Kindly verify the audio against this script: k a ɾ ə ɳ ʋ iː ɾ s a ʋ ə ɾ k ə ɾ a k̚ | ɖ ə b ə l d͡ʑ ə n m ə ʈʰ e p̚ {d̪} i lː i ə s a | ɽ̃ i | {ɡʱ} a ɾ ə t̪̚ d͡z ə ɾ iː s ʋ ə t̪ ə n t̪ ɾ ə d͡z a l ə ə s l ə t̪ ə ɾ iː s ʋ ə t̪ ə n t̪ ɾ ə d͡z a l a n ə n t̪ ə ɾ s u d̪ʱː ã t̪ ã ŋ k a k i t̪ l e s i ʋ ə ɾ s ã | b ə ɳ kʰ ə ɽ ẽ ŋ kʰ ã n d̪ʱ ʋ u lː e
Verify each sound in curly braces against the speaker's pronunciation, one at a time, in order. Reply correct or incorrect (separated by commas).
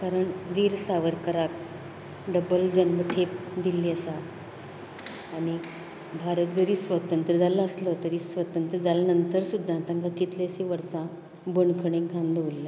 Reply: correct, incorrect